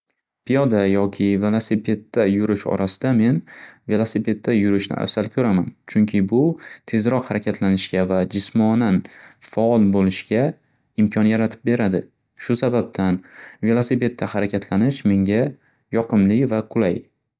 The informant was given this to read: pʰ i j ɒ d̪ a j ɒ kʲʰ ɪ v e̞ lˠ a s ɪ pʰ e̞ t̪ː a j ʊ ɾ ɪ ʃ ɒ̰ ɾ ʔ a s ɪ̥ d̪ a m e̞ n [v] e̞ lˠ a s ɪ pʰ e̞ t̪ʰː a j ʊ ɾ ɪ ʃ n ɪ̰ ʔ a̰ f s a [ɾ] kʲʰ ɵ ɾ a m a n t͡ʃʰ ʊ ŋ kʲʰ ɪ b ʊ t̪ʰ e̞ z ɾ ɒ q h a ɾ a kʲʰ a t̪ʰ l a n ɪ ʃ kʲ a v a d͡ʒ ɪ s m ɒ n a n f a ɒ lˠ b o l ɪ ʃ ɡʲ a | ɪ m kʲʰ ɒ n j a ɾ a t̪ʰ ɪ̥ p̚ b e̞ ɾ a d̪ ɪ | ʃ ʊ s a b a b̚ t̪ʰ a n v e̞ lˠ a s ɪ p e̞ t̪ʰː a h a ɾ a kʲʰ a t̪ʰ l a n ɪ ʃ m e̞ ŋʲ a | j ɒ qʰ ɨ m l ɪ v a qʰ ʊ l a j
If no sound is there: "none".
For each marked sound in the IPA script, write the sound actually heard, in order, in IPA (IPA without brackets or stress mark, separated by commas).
v, l